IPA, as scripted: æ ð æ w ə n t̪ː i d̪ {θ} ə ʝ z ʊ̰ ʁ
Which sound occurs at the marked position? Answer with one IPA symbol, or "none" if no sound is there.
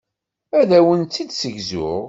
s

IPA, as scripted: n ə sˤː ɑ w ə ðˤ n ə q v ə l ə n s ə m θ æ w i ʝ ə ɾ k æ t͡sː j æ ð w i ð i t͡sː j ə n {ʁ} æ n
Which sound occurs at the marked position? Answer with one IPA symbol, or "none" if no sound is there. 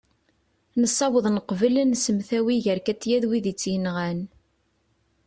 ʁ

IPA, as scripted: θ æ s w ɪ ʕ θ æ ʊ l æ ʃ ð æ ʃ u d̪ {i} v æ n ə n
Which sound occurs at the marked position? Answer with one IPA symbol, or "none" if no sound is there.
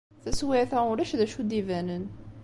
i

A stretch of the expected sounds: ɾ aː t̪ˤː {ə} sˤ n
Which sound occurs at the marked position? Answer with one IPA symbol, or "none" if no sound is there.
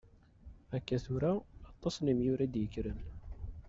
ɑ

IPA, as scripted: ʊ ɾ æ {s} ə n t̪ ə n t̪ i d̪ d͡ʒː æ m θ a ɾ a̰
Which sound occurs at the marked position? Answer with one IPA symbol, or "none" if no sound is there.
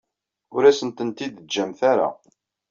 s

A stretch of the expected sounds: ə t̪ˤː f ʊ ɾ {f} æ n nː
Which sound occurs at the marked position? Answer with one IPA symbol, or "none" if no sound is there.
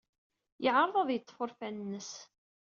f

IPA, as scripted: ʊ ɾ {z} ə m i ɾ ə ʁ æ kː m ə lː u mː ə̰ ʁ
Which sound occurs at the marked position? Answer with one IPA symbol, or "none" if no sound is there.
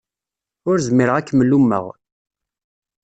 z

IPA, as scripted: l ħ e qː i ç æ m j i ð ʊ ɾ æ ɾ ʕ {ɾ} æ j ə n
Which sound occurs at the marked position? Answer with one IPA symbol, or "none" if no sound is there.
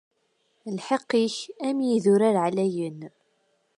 l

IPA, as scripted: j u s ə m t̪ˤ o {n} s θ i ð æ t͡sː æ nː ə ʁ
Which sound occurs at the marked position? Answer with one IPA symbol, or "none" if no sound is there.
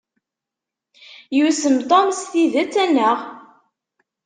m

